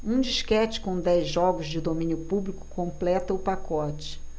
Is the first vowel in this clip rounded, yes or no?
yes